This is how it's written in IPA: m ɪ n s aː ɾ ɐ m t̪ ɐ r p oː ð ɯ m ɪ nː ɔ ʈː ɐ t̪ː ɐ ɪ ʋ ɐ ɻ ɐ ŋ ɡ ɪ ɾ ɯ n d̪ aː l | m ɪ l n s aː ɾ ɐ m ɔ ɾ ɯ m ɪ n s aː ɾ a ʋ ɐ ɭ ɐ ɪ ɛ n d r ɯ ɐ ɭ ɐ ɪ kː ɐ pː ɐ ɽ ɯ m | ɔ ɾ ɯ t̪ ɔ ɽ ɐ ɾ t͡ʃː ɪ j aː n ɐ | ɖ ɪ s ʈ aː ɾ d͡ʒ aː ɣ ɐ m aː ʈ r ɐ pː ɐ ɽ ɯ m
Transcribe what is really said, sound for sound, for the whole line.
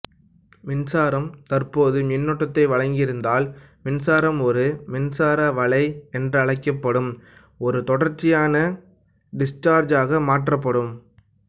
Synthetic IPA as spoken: m ɪ n s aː ɾ ɐ m t̪ ɐ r p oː ð ɯ m ɪ nː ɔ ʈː ɐ t̪ː ɐ ɪ ʋ ɐ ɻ ɐ ŋ ɡ ɪ ɾ ɯ n d̪ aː l | m ɪ n s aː ɾ ɐ m ɔ ɾ ɯ m ɪ n s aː ɾ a ʋ ɐ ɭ ɐ ɪ ɛ n d r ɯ ɐ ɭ ɐ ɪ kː ɐ pː ɐ ɽ ɯ m | ɔ ɾ ɯ t̪ ɔ ɽ ɐ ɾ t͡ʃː ɪ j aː n ɐ | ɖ ɪ s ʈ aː ɾ d͡ʒ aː ɣ ɐ m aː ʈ r ɐ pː ɐ ɽ ɯ m